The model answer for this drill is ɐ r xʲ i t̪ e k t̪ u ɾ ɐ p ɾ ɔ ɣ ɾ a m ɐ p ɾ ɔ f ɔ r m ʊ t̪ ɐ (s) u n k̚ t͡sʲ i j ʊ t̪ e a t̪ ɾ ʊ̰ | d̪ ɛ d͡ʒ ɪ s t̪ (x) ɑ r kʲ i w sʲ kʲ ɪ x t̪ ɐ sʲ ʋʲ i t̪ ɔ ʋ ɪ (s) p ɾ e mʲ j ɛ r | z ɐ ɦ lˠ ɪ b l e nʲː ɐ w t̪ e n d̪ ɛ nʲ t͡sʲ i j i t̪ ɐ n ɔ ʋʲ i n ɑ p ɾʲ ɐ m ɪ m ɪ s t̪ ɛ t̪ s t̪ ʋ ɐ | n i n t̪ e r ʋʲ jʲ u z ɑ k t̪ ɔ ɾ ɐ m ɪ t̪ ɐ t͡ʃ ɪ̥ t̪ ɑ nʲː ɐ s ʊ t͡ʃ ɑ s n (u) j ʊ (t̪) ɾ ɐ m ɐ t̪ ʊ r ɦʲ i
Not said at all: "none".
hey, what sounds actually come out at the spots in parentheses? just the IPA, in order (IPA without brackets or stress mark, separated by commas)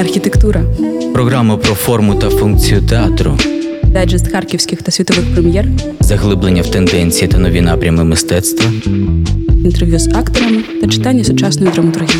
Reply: f, x, x, ɔ, d̪